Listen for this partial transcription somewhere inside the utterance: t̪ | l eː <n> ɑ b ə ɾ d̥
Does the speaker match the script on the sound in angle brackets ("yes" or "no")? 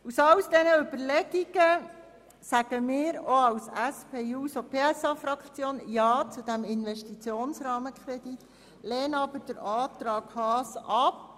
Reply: yes